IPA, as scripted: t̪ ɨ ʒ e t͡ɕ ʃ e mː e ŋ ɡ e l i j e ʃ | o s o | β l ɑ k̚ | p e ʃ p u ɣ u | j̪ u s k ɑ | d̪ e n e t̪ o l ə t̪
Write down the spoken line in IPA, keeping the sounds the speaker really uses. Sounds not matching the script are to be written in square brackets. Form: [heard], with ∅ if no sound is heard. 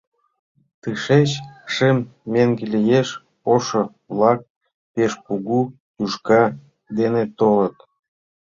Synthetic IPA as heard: t̪ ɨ [ʃ] e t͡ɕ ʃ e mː e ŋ ɡ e l i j e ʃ | o [ʃ] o | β l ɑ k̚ | p e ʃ p u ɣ u | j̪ u [ʃ] k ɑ | d̪ e n e t̪ o l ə t̪